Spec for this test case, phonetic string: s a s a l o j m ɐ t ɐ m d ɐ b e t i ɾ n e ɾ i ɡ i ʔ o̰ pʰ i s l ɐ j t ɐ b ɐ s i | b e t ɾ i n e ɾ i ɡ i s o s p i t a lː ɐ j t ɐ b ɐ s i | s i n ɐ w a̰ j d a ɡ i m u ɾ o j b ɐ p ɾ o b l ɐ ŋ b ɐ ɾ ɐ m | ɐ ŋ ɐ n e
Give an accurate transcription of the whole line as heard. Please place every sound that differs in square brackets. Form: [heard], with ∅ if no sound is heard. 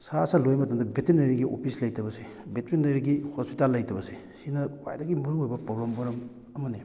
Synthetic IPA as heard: s a s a l o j m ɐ t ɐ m d ɐ b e t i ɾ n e ɾ i ɡ i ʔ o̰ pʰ i s l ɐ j t ɐ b ɐ s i | b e t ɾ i n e ɾ i ɡ i [h] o s p i t a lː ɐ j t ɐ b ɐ s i | s i n ɐ w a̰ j d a ɡ i m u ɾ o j b ɐ p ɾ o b l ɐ [m] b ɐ ɾ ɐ m | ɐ [m] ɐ n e